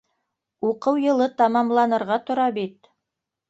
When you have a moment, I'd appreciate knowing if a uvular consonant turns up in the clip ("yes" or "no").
yes